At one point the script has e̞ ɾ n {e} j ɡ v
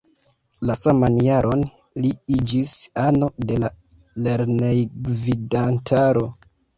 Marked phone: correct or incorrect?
correct